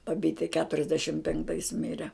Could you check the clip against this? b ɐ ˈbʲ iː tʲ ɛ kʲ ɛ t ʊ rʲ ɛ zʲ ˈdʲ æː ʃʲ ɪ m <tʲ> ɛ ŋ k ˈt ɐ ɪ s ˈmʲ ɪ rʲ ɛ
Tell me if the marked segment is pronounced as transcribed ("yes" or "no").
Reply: no